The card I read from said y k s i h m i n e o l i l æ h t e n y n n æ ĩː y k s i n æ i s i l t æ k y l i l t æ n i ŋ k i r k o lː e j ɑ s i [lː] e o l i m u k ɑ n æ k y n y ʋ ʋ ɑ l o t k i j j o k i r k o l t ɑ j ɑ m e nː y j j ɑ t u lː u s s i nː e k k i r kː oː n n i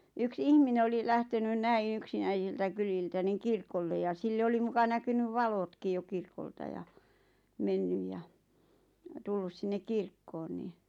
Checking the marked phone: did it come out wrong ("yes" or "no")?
no